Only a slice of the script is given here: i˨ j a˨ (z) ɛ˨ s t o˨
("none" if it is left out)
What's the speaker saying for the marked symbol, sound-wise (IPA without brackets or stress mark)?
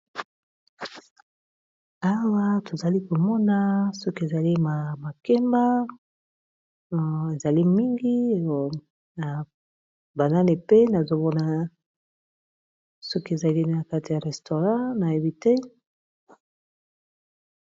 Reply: ʁ